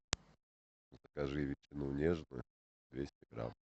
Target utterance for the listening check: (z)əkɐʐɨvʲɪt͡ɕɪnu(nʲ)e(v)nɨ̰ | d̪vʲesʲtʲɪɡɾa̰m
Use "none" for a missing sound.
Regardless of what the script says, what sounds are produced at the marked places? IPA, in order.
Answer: z, nʲ, ʐ

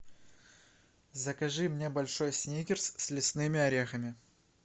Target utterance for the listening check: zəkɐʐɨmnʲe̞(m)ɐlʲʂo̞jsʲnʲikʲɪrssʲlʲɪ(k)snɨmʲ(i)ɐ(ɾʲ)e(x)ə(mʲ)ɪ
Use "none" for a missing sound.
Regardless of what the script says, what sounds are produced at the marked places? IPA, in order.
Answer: b, none, ɪ, ɾʲ, x, mʲ

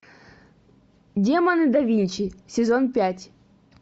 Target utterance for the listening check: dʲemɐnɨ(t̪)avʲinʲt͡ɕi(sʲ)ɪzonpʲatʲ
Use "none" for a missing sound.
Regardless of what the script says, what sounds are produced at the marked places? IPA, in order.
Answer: d̪, sʲ

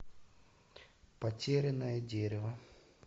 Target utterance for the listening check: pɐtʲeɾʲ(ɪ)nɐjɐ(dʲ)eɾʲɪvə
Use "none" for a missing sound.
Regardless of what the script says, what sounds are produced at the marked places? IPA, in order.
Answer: ɪ, dʲ

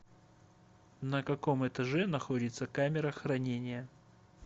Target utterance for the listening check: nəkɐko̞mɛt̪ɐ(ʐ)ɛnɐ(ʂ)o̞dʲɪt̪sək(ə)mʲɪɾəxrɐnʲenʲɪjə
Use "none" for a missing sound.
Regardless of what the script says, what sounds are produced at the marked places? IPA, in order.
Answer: ʐ, x, a

